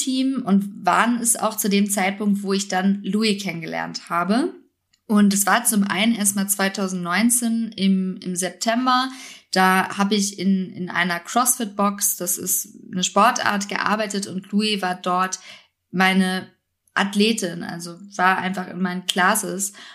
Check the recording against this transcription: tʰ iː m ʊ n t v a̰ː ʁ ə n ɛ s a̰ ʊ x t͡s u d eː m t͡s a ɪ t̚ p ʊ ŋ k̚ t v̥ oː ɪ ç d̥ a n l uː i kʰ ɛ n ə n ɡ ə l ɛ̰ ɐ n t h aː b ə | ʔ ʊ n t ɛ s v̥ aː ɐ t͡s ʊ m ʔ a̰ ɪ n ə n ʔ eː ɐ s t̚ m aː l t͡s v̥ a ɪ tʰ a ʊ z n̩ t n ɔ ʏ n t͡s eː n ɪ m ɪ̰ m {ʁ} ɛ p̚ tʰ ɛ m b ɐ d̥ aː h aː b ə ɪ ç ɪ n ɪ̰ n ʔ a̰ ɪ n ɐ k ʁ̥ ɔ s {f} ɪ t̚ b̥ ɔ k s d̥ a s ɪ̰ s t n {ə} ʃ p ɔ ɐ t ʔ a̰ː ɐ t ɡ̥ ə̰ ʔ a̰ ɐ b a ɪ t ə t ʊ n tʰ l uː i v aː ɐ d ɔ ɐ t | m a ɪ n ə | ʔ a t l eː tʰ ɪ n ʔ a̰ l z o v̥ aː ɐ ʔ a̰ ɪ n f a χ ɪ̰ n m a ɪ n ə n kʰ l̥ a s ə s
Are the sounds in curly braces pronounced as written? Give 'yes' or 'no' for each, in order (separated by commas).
no, yes, yes